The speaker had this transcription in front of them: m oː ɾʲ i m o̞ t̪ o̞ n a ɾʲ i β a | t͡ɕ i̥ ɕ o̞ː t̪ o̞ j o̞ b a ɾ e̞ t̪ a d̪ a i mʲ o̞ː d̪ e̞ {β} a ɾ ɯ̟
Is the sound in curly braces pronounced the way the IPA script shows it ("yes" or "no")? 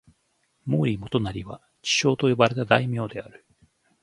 no